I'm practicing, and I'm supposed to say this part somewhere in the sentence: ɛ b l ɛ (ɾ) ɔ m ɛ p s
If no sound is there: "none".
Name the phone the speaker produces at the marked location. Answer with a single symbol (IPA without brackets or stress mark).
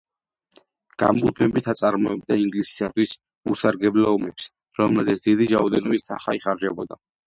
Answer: none